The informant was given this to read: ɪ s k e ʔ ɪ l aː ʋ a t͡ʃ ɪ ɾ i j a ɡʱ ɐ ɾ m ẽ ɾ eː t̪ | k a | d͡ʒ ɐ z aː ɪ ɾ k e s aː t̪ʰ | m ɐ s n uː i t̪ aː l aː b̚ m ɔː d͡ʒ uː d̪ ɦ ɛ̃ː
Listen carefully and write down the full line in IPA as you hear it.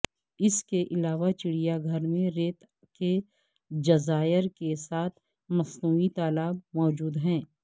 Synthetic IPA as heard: ɪ s k e ʔ ɪ l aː ʋ a t͡ʃ ɪ ɽ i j a ɡʱ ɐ ɾ m ẽ ɾ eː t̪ | k e | d͡ʒ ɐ z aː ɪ ɾ k e s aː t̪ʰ | m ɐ s n uː i t̪ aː l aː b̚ m ɔː d͡ʒ uː d̪ ɦ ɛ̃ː